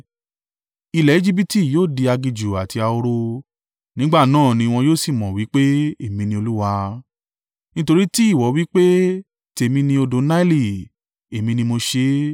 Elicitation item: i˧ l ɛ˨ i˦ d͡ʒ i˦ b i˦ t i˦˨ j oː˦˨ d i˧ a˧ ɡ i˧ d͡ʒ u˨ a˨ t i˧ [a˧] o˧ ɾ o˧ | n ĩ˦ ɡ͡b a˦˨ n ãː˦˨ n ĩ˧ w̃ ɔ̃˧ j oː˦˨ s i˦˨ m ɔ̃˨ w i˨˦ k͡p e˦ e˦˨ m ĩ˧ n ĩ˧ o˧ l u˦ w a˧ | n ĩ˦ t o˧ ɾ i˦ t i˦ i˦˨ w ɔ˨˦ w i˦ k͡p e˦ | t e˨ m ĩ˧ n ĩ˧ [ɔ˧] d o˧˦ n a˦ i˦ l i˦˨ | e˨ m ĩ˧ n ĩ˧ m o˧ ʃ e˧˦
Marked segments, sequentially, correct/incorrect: correct, incorrect

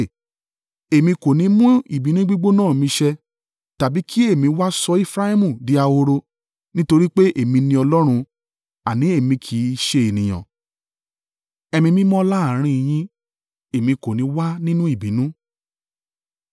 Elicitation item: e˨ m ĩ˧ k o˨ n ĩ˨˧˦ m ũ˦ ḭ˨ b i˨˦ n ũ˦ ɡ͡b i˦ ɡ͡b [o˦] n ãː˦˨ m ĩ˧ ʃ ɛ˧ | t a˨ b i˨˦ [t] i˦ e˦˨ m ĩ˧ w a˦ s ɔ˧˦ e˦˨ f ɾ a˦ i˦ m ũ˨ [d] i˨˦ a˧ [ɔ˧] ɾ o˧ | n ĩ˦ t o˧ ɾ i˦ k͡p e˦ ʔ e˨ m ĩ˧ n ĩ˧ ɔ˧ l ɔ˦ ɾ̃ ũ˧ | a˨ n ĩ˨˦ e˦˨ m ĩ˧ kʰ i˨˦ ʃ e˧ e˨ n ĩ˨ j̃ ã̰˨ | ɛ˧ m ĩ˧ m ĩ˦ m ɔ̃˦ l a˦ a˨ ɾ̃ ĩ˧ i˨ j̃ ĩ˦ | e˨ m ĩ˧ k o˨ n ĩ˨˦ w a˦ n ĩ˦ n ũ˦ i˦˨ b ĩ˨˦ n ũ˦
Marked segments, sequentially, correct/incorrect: correct, incorrect, correct, incorrect

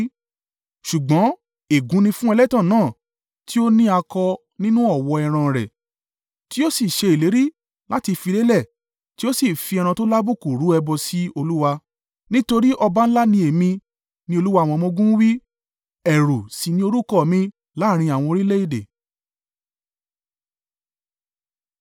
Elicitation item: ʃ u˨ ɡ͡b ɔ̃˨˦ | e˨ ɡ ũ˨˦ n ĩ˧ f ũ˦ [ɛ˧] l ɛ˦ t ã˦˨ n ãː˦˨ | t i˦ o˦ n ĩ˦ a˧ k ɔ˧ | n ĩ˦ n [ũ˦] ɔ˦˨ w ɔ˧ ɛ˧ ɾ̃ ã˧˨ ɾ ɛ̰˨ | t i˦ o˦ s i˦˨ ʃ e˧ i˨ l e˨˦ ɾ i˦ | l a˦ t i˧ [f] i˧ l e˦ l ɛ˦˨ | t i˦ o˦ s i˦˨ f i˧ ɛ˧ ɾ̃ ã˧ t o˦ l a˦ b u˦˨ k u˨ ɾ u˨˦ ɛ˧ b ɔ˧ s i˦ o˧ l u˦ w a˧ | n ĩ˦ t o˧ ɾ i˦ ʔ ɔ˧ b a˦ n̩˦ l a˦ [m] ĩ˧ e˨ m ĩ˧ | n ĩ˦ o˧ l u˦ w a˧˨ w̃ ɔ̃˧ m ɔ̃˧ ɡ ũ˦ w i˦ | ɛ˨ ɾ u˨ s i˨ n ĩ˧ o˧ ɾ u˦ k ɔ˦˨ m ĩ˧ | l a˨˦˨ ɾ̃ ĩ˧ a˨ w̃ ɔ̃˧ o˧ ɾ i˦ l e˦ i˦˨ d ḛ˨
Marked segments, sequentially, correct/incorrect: correct, correct, correct, incorrect

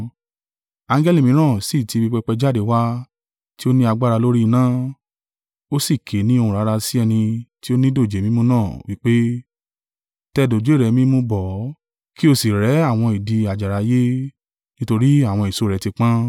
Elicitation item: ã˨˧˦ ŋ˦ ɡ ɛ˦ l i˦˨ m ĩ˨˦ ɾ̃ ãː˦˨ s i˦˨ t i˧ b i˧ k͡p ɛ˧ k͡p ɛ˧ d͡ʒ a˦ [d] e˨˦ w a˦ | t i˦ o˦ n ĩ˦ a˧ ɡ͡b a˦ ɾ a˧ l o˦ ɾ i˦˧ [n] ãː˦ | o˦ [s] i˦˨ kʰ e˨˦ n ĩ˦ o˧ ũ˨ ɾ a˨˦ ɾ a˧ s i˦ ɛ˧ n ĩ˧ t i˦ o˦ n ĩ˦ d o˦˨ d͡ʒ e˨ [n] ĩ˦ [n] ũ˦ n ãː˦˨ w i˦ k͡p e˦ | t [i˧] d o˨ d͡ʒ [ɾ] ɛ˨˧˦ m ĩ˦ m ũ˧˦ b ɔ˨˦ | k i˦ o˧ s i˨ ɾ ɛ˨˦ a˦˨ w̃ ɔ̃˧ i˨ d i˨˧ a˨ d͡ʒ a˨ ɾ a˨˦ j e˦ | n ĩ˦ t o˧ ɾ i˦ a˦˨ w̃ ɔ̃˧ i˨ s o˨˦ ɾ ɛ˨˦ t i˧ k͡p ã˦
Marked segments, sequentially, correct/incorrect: correct, correct, correct, incorrect, incorrect, incorrect, correct

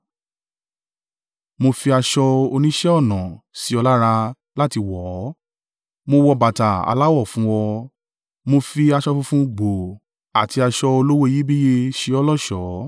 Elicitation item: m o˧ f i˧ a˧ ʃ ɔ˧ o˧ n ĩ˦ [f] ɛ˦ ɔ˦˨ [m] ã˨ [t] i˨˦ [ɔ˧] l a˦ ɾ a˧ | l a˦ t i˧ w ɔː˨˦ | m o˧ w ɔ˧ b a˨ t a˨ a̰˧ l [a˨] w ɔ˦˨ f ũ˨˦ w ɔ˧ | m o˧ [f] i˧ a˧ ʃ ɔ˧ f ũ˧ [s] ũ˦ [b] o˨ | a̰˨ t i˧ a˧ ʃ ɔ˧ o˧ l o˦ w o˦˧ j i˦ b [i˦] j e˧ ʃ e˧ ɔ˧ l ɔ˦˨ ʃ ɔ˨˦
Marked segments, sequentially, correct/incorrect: incorrect, incorrect, incorrect, correct, incorrect, correct, incorrect, incorrect, correct

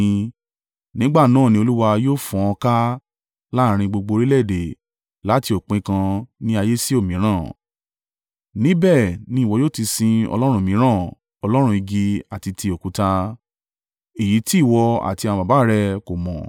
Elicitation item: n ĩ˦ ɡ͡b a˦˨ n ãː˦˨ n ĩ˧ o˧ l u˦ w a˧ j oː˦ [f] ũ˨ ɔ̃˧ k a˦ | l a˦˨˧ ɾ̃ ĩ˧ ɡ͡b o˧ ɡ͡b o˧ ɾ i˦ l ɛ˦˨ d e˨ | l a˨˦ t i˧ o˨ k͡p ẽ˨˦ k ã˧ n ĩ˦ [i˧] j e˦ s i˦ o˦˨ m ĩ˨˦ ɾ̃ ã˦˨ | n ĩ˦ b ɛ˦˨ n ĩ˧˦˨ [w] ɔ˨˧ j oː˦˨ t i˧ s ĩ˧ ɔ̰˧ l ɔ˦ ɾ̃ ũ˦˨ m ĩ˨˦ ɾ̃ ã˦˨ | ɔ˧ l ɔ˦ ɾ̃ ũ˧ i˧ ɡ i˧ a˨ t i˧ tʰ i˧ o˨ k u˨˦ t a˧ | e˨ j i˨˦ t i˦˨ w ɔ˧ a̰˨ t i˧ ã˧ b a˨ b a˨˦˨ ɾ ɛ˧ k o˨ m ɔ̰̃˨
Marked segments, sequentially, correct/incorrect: correct, incorrect, correct

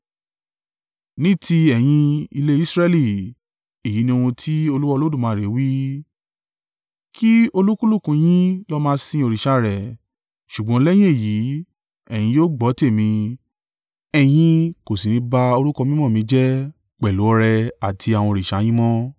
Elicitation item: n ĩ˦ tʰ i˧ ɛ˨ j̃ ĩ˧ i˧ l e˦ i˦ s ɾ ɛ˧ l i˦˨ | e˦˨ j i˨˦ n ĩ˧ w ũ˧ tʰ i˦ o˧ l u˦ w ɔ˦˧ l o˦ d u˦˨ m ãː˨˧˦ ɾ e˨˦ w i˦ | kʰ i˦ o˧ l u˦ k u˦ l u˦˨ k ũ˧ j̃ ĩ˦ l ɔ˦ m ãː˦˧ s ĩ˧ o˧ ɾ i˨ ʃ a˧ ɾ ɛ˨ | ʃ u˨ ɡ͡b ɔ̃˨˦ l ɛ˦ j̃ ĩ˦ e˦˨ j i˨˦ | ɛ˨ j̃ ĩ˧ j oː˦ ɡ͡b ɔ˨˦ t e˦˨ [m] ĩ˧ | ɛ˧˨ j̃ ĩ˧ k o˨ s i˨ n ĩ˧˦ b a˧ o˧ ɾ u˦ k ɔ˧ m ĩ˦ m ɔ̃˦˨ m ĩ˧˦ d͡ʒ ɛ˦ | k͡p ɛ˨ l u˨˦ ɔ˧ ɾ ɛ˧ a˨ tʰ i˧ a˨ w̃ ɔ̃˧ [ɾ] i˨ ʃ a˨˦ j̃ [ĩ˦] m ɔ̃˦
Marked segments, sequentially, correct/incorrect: correct, correct, correct

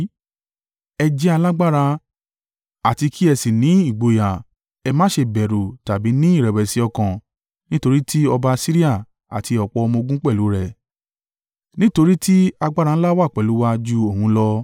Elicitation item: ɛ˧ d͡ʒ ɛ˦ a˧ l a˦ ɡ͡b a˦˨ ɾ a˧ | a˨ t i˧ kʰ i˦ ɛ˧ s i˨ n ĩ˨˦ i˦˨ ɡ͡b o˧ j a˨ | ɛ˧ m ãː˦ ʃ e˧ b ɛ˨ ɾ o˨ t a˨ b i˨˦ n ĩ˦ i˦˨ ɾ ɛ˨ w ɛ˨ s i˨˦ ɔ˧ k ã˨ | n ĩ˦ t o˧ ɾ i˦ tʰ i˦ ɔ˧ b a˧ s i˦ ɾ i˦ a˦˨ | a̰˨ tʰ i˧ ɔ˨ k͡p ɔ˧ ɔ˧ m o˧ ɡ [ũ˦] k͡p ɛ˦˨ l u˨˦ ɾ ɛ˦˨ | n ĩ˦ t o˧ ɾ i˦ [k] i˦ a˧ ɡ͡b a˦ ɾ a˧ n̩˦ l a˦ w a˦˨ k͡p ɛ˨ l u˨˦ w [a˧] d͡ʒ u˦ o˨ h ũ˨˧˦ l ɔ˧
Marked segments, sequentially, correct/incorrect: correct, incorrect, correct

